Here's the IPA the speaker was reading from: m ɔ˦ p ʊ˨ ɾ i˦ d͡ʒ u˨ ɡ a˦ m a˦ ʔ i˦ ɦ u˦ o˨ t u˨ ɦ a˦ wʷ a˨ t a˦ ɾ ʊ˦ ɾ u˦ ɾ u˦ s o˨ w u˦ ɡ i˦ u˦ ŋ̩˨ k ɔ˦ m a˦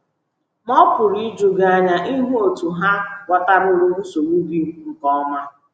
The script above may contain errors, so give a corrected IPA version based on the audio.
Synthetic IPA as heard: m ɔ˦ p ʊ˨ ɾ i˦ d͡ʒ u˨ ɡ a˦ ɲ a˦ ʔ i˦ ɦ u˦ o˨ t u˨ ɦ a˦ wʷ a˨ t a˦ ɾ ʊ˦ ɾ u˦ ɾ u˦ s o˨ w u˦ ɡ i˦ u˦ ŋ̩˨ k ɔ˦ m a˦